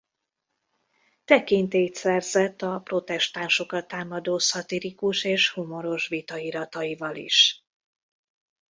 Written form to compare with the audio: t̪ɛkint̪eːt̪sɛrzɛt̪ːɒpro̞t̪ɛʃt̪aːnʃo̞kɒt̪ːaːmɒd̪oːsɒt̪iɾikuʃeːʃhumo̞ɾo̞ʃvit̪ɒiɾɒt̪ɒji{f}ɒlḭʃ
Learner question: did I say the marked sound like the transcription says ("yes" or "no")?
no